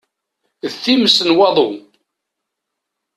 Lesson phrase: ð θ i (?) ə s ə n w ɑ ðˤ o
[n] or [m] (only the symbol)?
m